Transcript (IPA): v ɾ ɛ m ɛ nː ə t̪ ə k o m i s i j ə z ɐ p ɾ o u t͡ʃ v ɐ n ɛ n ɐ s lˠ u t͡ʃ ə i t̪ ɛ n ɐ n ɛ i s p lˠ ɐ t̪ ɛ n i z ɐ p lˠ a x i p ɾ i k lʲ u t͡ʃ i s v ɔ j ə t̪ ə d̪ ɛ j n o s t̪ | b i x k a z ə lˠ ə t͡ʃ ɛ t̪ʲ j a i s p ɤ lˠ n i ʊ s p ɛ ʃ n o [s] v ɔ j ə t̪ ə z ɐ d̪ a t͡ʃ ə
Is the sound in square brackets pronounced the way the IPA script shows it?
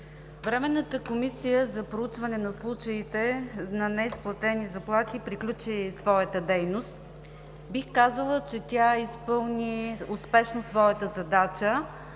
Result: yes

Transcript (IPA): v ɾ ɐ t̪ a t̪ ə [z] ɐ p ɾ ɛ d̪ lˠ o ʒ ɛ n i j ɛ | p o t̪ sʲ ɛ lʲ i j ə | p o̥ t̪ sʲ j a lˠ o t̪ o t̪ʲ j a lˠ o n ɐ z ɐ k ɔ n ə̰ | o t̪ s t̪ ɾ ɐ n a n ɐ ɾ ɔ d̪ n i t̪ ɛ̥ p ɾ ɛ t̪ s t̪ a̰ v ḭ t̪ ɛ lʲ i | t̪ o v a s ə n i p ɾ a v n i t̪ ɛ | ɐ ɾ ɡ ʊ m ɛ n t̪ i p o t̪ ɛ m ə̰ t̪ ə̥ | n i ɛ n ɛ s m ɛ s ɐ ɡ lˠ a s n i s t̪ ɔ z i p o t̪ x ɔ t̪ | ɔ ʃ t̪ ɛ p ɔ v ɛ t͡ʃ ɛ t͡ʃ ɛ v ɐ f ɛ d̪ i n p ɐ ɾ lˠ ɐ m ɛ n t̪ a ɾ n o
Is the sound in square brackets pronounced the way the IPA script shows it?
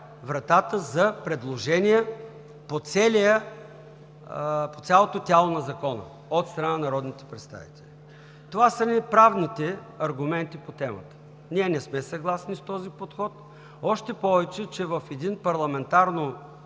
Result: yes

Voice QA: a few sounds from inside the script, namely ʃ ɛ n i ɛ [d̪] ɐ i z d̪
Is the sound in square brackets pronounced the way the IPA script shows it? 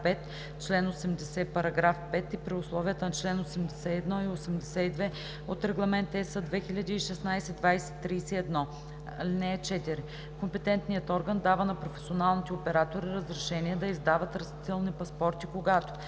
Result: yes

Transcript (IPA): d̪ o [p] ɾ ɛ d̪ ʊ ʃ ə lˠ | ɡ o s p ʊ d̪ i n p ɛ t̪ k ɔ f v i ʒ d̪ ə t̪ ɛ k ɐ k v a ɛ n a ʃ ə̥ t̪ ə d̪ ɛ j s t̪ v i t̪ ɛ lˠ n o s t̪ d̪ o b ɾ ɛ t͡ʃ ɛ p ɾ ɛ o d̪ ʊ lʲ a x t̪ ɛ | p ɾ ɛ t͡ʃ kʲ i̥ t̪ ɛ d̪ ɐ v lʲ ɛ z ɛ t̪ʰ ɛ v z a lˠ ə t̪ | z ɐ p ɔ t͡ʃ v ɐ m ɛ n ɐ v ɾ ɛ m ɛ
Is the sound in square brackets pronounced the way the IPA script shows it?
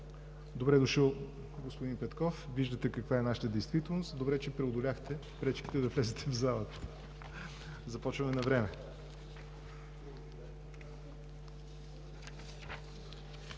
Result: no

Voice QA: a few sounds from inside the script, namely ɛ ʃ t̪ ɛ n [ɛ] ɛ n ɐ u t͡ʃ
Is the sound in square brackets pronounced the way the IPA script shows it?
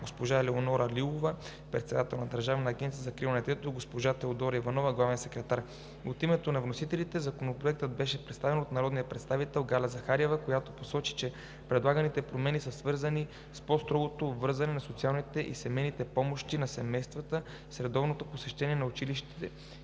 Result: no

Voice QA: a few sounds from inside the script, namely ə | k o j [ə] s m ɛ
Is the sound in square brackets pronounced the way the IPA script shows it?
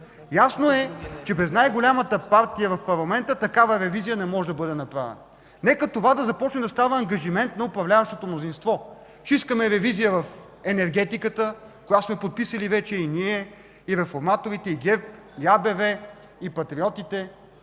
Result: no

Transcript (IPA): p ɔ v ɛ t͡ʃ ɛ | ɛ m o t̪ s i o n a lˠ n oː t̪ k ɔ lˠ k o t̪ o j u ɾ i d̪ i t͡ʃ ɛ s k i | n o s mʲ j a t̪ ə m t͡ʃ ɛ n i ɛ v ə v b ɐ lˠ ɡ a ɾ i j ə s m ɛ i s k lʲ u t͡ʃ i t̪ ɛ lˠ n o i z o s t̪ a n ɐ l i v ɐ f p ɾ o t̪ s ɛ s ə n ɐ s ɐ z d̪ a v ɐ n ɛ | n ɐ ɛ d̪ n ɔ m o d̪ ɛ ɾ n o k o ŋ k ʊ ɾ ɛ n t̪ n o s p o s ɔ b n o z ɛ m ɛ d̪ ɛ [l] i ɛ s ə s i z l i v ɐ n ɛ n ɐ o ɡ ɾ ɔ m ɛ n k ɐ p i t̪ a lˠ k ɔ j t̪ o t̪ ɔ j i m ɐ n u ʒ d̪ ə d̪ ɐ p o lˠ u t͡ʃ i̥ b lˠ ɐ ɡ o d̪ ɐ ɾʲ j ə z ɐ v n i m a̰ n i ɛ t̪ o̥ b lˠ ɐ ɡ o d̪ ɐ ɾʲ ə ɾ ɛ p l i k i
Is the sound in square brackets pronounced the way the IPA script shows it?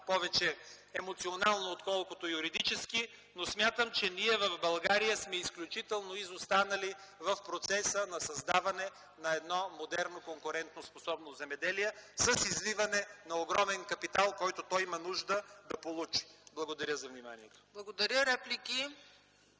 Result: yes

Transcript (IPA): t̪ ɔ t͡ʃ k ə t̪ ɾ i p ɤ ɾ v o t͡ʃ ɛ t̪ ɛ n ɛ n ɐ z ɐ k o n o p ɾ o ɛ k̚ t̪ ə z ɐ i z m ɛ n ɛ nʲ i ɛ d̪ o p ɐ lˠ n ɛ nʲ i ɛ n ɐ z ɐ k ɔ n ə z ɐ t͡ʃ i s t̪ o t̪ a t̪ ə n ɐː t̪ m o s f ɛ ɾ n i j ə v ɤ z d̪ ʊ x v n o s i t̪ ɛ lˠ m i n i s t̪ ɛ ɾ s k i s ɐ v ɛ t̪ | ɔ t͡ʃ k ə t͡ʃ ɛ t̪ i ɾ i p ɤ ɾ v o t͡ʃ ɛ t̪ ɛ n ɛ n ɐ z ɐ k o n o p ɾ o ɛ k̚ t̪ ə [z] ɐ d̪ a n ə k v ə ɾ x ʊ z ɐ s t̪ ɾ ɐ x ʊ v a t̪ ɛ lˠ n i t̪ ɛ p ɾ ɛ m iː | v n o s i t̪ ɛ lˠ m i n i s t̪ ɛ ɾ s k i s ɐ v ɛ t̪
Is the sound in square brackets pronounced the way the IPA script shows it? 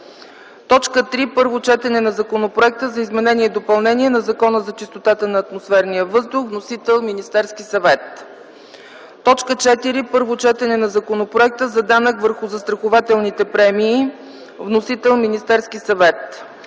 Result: yes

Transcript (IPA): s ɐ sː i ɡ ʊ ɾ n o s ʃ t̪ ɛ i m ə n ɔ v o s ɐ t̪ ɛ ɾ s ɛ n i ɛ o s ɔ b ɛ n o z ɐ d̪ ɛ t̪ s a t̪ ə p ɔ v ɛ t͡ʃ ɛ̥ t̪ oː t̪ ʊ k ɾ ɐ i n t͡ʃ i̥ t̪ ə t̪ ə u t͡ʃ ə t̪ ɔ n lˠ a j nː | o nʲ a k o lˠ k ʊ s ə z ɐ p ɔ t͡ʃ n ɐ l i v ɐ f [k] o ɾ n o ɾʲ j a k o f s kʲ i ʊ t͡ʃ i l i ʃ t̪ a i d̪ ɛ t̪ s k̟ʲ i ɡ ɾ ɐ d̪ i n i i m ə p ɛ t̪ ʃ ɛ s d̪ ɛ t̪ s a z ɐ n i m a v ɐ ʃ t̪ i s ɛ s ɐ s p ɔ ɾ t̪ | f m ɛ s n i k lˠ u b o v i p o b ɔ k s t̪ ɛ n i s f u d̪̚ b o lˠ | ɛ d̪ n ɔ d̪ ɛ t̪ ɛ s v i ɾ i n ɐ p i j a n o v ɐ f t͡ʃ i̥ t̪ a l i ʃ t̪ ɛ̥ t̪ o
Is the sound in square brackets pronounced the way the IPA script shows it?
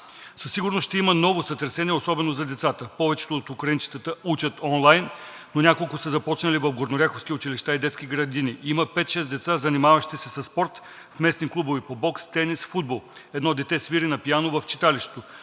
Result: no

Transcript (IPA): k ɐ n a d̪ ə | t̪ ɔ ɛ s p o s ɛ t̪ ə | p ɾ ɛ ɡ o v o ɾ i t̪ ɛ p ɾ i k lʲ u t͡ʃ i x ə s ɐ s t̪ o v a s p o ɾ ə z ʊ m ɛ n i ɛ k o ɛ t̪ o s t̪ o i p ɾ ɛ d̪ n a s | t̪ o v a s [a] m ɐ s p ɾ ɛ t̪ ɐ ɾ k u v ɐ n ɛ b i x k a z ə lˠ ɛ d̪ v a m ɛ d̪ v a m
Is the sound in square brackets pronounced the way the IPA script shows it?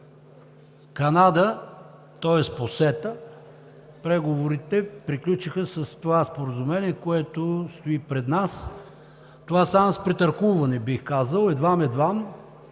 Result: yes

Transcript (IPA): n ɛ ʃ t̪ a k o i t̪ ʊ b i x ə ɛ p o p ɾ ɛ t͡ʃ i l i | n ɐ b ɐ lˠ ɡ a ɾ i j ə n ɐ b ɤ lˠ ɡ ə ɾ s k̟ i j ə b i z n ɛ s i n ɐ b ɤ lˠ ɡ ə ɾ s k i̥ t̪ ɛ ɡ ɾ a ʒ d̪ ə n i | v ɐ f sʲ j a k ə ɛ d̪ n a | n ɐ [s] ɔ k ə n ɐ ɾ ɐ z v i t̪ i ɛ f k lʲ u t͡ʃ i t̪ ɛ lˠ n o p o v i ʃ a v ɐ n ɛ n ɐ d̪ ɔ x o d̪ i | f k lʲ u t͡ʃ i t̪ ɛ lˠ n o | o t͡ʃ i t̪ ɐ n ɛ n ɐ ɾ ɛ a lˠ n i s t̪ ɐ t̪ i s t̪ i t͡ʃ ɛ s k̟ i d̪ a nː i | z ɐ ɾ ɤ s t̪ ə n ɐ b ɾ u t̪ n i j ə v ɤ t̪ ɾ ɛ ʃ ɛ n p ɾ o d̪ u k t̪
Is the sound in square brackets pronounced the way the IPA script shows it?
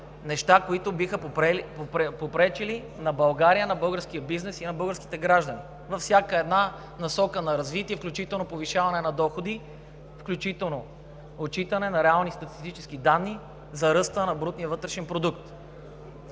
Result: yes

